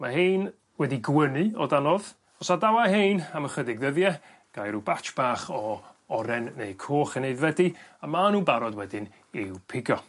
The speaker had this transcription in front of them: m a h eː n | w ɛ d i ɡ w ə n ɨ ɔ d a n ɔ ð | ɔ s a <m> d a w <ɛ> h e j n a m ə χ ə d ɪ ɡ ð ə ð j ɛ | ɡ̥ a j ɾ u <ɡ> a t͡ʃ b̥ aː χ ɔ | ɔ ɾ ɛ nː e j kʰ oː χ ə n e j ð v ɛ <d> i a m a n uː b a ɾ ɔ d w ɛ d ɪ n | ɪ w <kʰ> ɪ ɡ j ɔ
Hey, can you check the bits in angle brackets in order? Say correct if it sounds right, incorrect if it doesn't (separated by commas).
incorrect, incorrect, incorrect, correct, incorrect